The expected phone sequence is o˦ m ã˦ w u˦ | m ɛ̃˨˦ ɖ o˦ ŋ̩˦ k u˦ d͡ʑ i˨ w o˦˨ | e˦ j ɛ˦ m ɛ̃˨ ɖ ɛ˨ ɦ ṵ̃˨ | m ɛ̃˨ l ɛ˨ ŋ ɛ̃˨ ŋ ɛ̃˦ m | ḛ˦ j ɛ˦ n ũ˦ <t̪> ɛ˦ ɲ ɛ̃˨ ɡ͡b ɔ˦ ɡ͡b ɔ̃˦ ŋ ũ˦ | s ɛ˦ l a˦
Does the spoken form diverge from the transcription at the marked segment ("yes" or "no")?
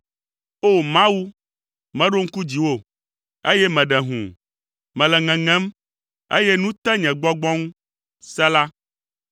no